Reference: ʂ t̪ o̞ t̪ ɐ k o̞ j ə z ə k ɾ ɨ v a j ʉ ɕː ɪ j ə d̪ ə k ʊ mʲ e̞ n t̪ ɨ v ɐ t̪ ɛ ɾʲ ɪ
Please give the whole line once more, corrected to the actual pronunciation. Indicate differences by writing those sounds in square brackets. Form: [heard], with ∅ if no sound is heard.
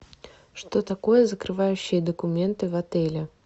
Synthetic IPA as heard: ʂ t̪ o̞ t̪ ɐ k o̞ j ə z ə k ɾ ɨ v a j ʉ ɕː ɪ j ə d̪ ə k ʊ mʲ e̞ n t̪ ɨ v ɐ t̪ ɛ [lʲ] ɪ